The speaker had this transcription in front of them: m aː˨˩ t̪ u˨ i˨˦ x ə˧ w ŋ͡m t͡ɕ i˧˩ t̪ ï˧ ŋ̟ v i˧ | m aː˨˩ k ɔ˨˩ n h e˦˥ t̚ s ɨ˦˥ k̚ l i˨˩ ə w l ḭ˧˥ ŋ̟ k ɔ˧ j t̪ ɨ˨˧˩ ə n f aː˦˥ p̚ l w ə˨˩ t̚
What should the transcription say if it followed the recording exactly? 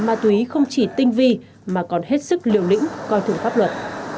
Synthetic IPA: m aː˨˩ t̪ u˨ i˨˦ x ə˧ w ŋ͡m t͡ɕ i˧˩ t̪ ï˧ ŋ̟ v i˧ | m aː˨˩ k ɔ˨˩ n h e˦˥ t̚ s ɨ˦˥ k̚ l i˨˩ ə w l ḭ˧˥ ŋ̟ k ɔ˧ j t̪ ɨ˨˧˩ ə ŋ f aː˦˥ p̚ l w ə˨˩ t̚